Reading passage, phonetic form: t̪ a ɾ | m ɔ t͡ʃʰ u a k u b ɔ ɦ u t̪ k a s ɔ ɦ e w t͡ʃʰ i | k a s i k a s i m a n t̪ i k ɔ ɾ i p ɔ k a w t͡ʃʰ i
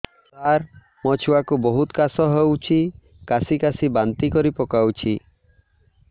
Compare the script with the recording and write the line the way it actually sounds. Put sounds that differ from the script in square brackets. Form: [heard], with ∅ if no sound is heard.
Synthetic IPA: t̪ a ɾ | m ɔ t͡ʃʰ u a k u b ɔ ɦ u t̪ k a s ɔ ɦ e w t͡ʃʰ i | k a s i k a s i [b] a n t̪ i k ɔ ɾ i p ɔ k a w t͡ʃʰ i